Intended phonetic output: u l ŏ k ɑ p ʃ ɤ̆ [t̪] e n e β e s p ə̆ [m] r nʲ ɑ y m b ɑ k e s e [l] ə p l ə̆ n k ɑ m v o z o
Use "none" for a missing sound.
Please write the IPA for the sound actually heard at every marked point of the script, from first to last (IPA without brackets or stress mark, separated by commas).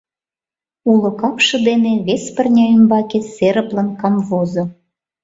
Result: d̪, none, ɾ